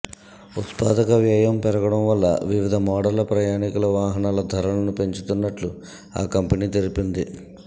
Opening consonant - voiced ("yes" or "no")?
no